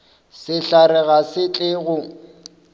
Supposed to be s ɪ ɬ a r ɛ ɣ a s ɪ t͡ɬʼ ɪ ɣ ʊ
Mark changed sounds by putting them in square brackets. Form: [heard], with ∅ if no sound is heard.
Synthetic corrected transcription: s ɪ ɬ a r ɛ ɣ a s ɪ t͡ɬʼ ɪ ɣ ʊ